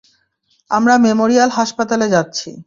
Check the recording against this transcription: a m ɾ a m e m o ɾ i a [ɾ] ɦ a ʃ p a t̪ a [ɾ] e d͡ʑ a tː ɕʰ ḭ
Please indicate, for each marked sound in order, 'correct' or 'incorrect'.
incorrect: l, incorrect: l

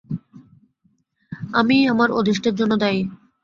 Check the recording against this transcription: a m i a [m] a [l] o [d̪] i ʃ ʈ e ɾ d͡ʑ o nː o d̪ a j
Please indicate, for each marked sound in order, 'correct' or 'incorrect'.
correct, incorrect: ɾ, correct

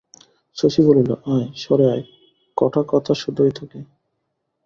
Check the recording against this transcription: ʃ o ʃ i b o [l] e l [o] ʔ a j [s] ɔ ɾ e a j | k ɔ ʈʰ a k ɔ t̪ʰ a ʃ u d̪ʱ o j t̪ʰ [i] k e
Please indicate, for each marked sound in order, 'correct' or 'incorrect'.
correct, correct, incorrect: ʃ, incorrect: a

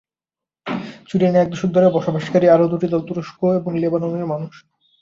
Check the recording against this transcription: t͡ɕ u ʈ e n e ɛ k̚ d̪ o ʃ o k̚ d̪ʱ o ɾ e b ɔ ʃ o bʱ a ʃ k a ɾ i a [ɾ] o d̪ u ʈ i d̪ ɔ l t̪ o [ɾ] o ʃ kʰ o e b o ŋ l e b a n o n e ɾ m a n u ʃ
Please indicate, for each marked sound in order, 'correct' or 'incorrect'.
correct, correct

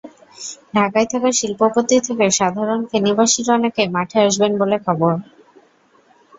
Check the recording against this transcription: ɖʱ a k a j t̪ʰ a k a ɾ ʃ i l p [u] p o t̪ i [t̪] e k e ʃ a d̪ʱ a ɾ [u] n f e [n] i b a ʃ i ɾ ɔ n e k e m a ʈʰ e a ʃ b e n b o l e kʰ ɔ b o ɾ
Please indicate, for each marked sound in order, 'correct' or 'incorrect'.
incorrect: o, incorrect: t̪ʰ, incorrect: o, correct

